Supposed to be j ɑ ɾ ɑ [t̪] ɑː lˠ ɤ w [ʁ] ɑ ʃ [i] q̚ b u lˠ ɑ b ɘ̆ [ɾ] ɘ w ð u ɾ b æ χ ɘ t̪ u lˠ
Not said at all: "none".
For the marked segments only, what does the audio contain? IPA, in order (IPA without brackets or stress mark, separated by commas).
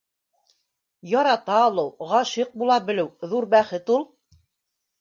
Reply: t̪, ʁ, i, l